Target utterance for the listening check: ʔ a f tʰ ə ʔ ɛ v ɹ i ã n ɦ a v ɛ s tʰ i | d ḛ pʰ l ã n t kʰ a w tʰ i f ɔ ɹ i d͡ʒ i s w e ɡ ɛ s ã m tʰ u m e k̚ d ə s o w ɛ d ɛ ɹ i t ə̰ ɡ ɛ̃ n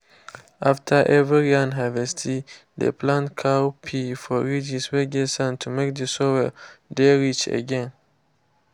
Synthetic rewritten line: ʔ a f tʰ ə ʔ ɛ v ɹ i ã n ɦ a v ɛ s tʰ i | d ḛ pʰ l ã n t kʰ a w pʰ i f ɔ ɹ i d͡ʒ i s w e ɡ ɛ s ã n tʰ u m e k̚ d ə s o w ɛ d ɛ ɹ i t͡ʃ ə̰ ɡ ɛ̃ n